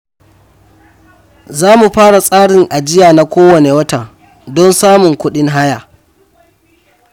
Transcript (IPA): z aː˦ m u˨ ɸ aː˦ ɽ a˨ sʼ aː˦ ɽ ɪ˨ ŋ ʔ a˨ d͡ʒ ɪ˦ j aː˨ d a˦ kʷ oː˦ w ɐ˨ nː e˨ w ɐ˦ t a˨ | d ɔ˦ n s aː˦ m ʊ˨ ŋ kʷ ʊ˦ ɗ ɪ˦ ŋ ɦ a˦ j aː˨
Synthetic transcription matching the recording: z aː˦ m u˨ ɸ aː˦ ɽ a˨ sʼ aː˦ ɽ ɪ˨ ŋ ʔ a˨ d͡ʒ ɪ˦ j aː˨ n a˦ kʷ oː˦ w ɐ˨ n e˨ w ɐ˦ t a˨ | d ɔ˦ n s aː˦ m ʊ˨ ŋ kʷ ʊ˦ ɗ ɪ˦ ŋ ɦ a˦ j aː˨